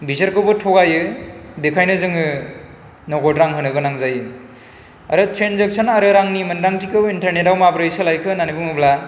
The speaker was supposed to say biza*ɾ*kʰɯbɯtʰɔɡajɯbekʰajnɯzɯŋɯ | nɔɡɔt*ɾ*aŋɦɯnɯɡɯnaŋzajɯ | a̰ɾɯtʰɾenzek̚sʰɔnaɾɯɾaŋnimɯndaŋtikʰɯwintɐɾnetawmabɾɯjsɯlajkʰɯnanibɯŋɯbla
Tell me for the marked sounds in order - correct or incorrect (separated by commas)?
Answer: correct, correct